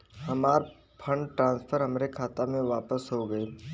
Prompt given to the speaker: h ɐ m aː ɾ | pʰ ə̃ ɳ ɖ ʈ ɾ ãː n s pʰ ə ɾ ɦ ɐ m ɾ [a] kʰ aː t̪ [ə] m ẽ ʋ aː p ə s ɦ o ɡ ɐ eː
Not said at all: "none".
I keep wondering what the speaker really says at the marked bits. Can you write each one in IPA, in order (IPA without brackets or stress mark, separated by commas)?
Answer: e, a